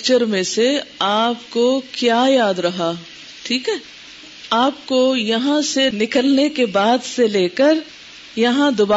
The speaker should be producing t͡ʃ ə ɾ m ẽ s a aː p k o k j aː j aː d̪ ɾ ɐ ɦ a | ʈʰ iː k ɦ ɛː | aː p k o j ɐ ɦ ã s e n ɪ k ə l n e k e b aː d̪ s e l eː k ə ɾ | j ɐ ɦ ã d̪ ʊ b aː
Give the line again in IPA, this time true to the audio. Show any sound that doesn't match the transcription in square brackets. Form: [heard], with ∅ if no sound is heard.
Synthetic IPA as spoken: t͡ʃ ə ɾ m ẽ s [e] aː p k o k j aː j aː d̪ ɾ ɐ ɦ a | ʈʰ iː k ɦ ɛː | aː p k o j ɐ ɦ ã s e n ɪ k ə l n e k e b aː d̪ s e l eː k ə ɾ | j ɐ ɦ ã d̪ ʊ b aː